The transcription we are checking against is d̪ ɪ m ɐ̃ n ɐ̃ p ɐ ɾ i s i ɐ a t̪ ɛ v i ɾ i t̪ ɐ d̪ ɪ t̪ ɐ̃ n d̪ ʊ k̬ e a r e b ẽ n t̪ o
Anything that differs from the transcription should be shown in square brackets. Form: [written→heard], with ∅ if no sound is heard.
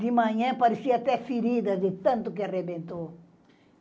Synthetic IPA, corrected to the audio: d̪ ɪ m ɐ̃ [n→ɲ] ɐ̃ p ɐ ɾ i s i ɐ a t̪ ɛ [v→f] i ɾ i [t̪→d̪] ɐ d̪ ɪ t̪ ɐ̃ n [d̪→t̪] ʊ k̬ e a r e b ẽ n t̪ o